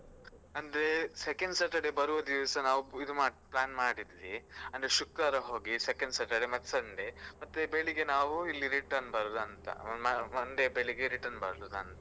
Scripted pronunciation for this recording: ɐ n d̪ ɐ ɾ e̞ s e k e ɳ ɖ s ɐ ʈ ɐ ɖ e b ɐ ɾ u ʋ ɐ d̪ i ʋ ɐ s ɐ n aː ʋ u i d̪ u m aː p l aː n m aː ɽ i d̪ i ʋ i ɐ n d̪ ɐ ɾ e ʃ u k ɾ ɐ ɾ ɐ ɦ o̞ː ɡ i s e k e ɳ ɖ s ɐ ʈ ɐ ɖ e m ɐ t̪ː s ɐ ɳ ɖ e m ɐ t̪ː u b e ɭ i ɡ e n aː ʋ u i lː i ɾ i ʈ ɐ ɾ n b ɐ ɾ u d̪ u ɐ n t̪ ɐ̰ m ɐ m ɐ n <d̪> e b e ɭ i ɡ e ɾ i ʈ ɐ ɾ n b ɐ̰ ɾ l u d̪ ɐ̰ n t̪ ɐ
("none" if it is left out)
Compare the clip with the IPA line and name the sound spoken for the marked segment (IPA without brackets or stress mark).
d̪